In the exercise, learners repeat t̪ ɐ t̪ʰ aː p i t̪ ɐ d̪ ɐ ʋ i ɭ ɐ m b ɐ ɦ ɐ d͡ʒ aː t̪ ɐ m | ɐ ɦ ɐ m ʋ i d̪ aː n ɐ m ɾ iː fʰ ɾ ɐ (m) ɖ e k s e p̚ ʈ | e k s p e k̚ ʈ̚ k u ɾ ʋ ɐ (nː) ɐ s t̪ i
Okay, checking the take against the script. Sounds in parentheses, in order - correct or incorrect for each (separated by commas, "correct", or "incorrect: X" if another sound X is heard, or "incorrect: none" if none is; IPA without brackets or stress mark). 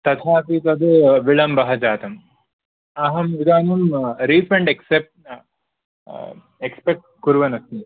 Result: incorrect: ɳ, incorrect: n